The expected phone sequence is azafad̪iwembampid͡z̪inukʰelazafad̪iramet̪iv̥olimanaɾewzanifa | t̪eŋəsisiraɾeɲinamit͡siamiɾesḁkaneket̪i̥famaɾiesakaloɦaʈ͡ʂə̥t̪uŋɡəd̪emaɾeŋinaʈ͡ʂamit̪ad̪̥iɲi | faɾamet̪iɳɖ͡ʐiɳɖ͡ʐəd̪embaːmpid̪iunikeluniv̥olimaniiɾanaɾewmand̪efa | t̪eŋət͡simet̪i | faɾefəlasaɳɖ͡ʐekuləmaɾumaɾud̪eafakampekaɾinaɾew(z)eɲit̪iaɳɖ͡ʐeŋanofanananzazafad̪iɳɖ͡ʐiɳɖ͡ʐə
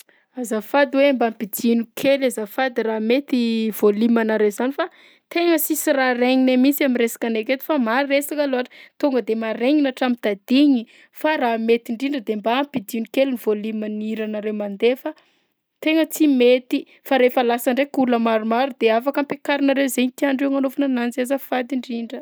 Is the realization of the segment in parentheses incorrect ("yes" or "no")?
no